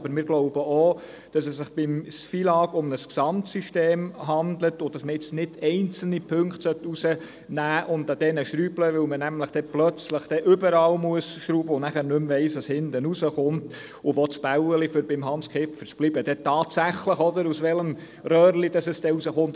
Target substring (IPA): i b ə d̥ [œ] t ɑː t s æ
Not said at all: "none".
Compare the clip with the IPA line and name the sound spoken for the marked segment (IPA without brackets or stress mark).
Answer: ɛ